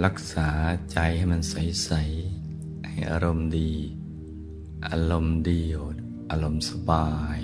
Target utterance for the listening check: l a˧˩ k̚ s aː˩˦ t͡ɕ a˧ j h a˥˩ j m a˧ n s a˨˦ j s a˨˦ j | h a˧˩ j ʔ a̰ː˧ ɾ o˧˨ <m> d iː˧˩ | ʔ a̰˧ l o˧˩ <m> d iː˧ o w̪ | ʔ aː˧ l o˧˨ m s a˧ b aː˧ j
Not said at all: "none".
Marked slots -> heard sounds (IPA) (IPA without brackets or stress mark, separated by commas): m, m